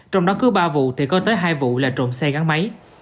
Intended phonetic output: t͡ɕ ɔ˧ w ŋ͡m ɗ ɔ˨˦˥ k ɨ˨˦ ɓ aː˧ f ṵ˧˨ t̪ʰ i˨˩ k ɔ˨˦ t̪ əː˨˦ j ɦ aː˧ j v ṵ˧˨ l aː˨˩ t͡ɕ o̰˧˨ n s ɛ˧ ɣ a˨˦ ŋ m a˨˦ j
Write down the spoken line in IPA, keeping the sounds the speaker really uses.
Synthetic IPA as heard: t͡ɕ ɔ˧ w ŋ͡m ɗ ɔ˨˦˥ k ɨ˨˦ ɓ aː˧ v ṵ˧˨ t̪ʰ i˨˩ k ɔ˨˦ t̪ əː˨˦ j ɦ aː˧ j v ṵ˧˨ l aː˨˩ t͡ɕ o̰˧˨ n s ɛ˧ ɣ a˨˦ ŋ m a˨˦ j